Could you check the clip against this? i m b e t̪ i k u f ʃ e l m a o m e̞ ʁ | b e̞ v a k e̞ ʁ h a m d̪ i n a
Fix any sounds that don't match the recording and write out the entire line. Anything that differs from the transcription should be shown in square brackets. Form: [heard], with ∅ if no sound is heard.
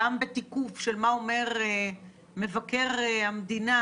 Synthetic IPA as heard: [a] m b e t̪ i k u f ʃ e l m a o m e̞ ʁ | [m] e̞ v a k e̞ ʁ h a m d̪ i n a

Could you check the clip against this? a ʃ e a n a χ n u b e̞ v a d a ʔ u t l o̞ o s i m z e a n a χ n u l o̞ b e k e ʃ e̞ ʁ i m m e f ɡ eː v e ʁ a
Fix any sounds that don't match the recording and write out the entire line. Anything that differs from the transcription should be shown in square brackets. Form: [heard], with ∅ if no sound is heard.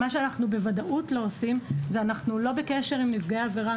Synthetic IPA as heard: a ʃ e a n a χ n u b e̞ v a d a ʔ u t l o̞ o s i m z e a n a χ n u l o̞ b e k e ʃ e̞ ʁ i m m [i] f ɡ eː v e ʁ a

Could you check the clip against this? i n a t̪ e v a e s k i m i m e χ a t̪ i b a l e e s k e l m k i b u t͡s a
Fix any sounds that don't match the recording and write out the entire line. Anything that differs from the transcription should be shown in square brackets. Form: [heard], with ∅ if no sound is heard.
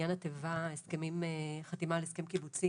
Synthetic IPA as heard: [a] n a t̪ e v a e s k [e] m i m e χ a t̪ i [m] a l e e s k e [∅] m k i b u t͡s [i]

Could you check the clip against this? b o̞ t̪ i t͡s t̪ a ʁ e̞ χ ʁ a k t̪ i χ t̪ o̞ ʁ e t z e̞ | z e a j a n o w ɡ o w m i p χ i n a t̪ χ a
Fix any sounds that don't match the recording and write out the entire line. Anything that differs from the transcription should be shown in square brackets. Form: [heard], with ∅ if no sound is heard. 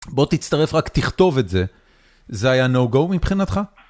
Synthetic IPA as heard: b o̞ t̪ i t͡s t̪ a ʁ e̞ [f] ʁ a k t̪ i χ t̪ o̞ [v] e t z e̞ | z e a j a n o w ɡ o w m i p χ i n a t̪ χ a

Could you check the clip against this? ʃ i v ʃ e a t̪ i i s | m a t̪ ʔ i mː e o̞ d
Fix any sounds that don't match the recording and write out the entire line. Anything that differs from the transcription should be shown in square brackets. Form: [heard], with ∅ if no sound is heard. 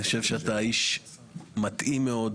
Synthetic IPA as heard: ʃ [e] v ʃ e a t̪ [a] i [ʃ] | m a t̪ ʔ i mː e o̞ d

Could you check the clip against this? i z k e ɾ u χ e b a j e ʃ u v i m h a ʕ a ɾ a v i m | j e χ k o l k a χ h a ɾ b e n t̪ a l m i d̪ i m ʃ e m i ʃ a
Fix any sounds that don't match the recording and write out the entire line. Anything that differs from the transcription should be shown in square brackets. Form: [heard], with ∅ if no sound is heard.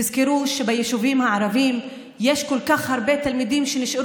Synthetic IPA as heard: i z k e ɾ u [ʃ] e b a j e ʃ u v i m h a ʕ a ɾ a v i m | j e [ʃ] k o l k a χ h a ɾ b e [∅] t̪ a l m i d̪ i m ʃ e [n] i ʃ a

